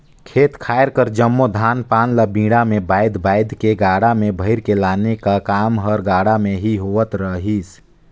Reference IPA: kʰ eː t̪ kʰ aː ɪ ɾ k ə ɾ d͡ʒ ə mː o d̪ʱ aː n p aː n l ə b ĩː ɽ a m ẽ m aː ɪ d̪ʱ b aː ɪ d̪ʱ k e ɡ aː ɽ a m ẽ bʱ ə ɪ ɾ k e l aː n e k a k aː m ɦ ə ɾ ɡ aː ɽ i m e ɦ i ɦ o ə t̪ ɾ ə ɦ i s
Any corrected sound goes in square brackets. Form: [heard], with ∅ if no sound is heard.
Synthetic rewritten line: kʰ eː t̪ kʰ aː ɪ ɾ k ə ɾ d͡ʒ ə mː o d̪ʱ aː n p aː n l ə b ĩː ɽ a m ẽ [b] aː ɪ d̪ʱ b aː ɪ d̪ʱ k e ɡ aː ɽ a m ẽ bʱ ə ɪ ɾ k e l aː n e k a k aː m ɦ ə ɾ ɡ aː ɽ [a] m e ɦ i ɦ o ə t̪ ɾ ə ɦ i s

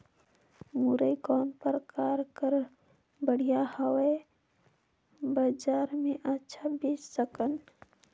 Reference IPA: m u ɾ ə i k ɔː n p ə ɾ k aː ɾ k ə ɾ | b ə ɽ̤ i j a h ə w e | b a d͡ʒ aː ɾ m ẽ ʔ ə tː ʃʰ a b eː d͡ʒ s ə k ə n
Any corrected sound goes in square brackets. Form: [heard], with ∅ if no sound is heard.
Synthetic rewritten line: m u ɾ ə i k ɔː n p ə ɾ k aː ɾ k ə ɾ | b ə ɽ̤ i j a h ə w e | b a d͡ʒ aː ɾ m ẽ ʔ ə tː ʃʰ a b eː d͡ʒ s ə k ə n

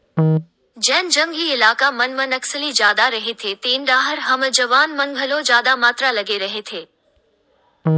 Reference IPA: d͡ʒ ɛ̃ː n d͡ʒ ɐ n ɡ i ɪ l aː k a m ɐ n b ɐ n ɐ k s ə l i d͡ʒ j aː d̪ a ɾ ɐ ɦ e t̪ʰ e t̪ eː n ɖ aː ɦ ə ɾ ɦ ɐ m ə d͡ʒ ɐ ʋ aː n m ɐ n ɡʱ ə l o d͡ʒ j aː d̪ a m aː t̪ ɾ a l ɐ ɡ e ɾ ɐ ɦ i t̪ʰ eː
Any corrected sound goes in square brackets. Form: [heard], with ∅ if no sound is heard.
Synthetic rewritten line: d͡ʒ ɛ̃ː n d͡ʒ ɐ [ŋ] ɡ i ɪ l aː k a m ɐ n [m] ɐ n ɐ k s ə l i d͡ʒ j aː d̪ a ɾ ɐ ɦ e t̪ʰ e t̪ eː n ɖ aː ɦ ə ɾ ɦ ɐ m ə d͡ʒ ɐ ʋ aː n m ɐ n ɡʱ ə l o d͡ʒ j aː d̪ a m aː t̪ ɾ a l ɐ ɡ e ɾ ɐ ɦ [e] t̪ʰ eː

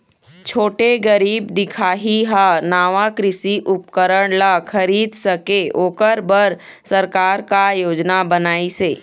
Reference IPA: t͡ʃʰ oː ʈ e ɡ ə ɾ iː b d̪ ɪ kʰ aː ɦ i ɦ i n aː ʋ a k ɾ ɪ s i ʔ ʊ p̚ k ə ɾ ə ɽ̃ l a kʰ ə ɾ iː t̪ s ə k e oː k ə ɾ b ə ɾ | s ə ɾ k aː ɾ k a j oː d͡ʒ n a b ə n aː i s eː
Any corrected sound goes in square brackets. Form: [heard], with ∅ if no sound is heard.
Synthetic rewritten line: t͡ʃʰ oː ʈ e ɡ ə ɾ iː b d̪ ɪ kʰ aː ɦ i ɦ [a] n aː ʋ a k ɾ ɪ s i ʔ ʊ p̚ k ə ɾ ə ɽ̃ l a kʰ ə ɾ iː [d̪] s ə k e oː k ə ɾ b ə ɾ | s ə ɾ k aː ɾ k a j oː d͡ʒ n a b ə n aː i s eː

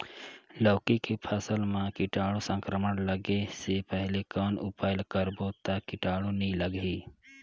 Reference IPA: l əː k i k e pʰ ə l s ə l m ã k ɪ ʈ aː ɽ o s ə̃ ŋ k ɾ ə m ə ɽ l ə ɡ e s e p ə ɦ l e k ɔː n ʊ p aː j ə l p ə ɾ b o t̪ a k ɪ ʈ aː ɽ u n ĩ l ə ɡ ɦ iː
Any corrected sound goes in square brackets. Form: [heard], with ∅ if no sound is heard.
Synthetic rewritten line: l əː k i k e pʰ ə [∅] s ə l m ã k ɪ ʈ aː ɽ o s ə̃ ŋ k ɾ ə m ə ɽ l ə ɡ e s e p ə ɦ l e k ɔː n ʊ p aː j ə l [k] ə ɾ b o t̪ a k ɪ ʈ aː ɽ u n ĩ l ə ɡ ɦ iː

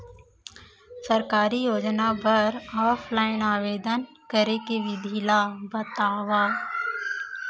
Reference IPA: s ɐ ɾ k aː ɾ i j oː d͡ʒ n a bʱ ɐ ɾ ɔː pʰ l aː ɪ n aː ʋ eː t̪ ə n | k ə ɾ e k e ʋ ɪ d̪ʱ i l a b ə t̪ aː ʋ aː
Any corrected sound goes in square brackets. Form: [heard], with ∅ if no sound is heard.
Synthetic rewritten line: s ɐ ɾ k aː ɾ i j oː d͡ʒ n a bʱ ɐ ɾ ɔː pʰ l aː ɪ n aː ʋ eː [d̪] ə n | k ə ɾ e k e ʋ ɪ d̪ʱ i l a b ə t̪ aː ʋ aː

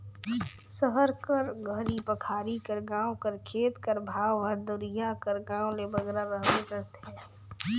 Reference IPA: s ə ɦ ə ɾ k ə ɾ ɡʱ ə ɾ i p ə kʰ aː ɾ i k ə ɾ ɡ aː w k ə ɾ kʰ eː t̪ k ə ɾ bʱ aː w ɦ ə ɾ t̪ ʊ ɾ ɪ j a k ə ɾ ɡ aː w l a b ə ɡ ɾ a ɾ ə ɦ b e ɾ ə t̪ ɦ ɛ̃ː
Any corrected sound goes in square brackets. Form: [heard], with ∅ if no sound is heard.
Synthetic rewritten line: s ə ɦ ə ɾ k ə ɾ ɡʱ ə ɾ i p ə kʰ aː ɾ i k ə ɾ ɡ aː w k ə ɾ kʰ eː t̪ k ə ɾ bʱ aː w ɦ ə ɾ [d̪] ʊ ɾ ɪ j a k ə ɾ ɡ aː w l [e] b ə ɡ ɾ a ɾ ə ɦ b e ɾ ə t̪ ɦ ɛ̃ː

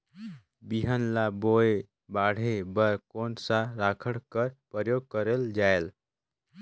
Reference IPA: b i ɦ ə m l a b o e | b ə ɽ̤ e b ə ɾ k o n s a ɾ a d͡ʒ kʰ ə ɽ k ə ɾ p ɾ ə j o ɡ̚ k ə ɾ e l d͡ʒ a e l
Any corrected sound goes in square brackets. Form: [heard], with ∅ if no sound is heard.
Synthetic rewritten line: b i ɦ ə [n] l a b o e | b [a] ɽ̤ e b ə ɾ k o n s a ɾ a [∅] kʰ ə ɽ k ə ɾ p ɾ ə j o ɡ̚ k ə ɾ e l d͡ʒ a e l

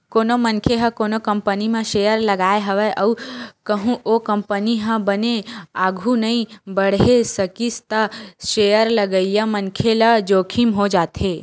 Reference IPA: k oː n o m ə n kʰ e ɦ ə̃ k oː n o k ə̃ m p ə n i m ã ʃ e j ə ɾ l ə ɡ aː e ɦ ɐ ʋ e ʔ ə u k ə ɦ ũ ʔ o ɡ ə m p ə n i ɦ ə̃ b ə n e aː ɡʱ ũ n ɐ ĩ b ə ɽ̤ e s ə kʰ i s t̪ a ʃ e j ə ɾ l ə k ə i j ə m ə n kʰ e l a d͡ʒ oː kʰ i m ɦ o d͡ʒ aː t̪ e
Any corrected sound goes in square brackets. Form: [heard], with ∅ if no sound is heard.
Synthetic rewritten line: k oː n o m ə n kʰ e ɦ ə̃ k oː n o k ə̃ m p ə n i m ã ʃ e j ə ɾ l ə ɡ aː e ɦ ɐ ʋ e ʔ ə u k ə ɦ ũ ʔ o [k] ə m p ə n i ɦ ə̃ b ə n e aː ɡʱ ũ n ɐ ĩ b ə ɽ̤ e s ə [k] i s t̪ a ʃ e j ə ɾ l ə [ɡ] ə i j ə m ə n kʰ e l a d͡ʒ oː kʰ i m ɦ o d͡ʒ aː t̪ e

